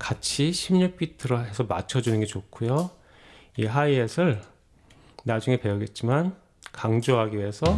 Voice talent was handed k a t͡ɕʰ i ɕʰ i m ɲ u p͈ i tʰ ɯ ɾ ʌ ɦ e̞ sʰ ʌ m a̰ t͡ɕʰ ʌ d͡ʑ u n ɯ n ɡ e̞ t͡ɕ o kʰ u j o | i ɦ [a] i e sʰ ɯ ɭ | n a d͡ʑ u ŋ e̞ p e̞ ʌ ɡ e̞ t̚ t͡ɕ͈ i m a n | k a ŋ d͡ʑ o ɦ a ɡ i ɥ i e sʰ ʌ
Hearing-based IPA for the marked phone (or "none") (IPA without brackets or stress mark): a